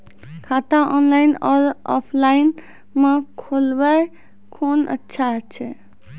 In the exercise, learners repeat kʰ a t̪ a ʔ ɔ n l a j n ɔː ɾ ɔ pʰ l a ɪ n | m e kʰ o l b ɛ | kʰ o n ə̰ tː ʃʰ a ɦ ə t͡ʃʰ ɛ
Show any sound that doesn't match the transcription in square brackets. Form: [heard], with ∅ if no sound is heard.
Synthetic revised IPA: kʰ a t̪ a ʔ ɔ n l a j n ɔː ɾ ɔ pʰ l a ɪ n | m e kʰ o l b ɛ | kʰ o n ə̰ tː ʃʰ a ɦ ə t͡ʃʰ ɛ